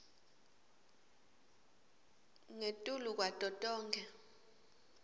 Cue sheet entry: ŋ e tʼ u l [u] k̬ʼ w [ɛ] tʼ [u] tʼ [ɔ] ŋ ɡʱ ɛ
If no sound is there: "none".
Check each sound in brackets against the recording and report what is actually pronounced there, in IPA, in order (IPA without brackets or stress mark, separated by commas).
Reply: u, a, ɔ, ɔː